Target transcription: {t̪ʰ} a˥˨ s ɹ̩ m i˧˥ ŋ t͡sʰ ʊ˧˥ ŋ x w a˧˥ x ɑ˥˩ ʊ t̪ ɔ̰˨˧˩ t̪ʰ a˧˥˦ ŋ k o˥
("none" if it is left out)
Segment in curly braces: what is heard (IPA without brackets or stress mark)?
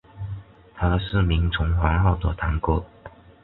t̪ʰ